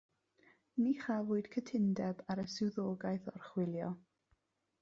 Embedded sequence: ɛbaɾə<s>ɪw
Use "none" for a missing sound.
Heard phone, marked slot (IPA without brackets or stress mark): s